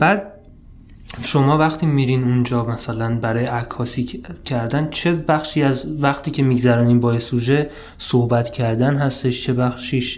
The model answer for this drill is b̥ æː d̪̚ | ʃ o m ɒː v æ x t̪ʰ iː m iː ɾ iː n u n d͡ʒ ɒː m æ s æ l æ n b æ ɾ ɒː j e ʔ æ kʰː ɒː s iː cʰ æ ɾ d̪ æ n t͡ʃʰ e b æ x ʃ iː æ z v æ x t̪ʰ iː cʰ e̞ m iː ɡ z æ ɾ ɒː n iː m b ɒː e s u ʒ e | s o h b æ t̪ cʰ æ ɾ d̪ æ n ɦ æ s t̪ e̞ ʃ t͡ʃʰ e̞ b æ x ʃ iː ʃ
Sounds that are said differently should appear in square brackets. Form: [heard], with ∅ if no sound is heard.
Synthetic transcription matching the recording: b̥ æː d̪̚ | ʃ o m ɒː v æ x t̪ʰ iː m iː ɾ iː n u n d͡ʒ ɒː m æ s æ l æ n b æ ɾ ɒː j e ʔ æ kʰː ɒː s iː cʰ æ ɾ d̪ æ n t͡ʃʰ e b æ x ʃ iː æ z v æ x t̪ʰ iː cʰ e̞ m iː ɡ z æ ɾ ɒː n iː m b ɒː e s u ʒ e | s o h b æ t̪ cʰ æ ɾ d̪ æ n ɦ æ s t̪ e̞ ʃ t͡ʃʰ e̞ b æ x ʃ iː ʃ